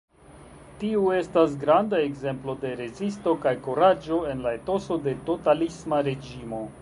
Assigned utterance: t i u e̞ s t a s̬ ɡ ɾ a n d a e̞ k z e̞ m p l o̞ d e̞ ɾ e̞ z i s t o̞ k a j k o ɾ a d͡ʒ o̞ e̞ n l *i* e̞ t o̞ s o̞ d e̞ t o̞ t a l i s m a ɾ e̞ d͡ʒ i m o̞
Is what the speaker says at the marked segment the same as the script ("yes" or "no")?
no